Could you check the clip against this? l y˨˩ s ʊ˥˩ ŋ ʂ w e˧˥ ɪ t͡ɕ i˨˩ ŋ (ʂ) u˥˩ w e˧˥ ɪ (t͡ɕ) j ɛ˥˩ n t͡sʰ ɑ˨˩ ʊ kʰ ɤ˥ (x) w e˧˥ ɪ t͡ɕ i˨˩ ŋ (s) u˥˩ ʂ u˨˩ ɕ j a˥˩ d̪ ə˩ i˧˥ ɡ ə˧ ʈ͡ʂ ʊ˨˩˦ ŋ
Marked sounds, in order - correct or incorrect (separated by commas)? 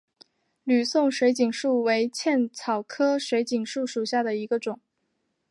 correct, incorrect, incorrect, incorrect